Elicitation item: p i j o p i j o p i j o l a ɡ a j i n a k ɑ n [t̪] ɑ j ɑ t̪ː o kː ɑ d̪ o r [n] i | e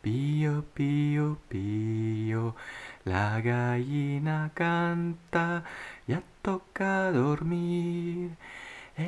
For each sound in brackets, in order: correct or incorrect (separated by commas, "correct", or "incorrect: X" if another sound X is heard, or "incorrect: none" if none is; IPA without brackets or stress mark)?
correct, incorrect: m